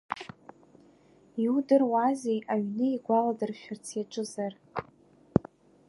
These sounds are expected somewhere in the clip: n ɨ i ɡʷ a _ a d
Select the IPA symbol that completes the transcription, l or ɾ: l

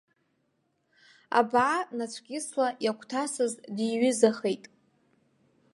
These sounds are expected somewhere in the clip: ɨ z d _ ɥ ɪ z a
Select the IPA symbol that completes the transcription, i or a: i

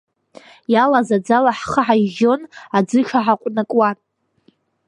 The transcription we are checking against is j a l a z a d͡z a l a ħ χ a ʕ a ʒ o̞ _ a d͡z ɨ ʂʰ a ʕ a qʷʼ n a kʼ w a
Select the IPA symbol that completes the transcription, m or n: n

